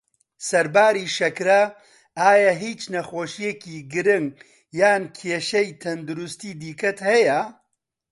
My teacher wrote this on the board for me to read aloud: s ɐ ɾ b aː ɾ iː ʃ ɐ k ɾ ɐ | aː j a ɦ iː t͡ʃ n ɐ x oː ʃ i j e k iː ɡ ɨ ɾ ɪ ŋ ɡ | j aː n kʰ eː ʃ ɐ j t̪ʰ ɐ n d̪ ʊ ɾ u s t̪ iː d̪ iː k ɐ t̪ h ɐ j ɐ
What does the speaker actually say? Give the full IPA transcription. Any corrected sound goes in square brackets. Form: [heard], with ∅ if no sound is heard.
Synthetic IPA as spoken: s ɐ ɾ b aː ɾ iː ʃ ɐ k ɾ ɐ | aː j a ɦ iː t͡ʃ n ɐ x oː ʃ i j e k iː ɡ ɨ ɾ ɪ ŋ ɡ | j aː n kʰ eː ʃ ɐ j t̪ʰ ɐ n d̪ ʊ ɾ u s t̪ iː d̪ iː k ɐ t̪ h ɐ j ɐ